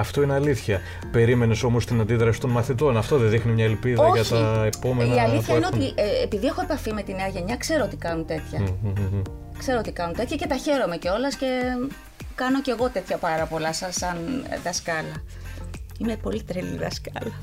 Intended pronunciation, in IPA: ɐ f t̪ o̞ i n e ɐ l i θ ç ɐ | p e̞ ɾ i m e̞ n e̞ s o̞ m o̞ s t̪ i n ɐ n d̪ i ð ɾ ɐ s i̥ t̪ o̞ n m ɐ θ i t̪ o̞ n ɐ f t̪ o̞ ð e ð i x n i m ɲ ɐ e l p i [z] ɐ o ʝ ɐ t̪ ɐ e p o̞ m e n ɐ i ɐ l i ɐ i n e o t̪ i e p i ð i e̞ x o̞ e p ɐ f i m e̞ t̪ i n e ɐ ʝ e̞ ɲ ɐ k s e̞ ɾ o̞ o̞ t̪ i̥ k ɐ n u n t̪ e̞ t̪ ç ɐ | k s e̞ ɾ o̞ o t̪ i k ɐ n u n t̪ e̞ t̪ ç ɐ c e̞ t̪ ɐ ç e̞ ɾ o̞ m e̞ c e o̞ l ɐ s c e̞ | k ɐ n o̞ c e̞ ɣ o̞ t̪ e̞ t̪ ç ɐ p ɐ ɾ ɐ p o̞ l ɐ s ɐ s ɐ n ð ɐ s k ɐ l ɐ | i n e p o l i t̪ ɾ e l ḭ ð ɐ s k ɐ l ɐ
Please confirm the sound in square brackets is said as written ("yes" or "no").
no